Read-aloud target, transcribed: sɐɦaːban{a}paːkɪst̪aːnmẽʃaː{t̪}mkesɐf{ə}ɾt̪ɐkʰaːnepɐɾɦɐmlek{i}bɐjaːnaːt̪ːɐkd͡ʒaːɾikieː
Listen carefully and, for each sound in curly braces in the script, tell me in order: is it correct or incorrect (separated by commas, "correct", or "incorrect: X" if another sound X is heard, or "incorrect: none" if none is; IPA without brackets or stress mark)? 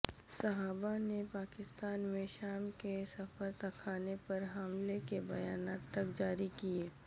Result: incorrect: e, incorrect: none, correct, incorrect: e